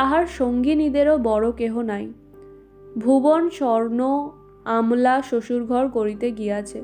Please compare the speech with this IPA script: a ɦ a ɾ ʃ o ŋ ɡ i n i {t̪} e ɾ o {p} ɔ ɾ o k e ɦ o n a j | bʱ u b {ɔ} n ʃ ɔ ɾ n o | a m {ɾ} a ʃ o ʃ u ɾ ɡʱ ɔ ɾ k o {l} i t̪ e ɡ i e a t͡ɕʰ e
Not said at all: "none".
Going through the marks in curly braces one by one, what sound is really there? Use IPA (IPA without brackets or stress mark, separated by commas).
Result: d̪, b, o, l, ɾ